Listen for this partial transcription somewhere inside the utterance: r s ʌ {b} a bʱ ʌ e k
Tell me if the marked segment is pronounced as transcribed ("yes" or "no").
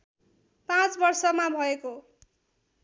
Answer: no